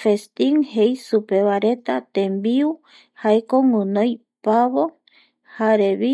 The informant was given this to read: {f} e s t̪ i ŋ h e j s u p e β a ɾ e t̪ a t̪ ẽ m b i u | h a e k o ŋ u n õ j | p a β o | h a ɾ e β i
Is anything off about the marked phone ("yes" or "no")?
no